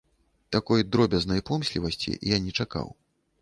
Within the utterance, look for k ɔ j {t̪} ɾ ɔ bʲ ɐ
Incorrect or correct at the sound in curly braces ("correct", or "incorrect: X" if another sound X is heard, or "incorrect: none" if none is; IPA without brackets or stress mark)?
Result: incorrect: d̪